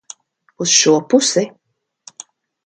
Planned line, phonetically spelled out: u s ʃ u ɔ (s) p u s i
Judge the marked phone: incorrect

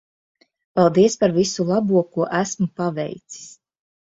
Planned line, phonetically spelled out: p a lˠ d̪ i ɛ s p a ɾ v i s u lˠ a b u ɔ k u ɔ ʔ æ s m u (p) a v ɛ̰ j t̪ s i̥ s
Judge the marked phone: correct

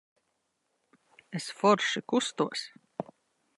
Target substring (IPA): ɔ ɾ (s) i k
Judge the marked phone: incorrect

